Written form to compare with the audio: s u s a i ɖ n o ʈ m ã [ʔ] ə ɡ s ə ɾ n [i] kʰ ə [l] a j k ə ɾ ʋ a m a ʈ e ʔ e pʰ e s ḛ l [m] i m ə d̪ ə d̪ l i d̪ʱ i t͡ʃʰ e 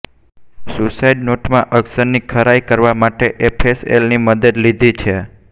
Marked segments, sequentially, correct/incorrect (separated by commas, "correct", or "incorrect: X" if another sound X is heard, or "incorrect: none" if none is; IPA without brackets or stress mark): correct, correct, incorrect: ɾ, incorrect: n